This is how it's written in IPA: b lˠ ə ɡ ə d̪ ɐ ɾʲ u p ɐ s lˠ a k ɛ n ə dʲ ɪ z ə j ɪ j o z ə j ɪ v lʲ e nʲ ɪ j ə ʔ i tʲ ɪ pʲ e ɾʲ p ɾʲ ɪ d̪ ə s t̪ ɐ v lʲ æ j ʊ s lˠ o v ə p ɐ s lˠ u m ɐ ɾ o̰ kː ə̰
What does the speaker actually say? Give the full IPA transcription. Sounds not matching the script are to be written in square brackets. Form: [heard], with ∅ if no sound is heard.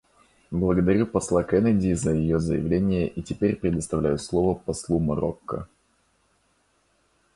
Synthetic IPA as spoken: b lˠ ə ɡ ə d̪ ɐ ɾʲ u p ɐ s lˠ a k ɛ n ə dʲ ɪ z ə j ɪ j o z ə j ɪ v lʲ e nʲ ɪ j ə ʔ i tʲ ɪ pʲ e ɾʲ p ɾʲ ɪ d̪ ə s t̪ ɐ v lʲ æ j ʊ s lˠ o v ə p ɐ s lˠ u m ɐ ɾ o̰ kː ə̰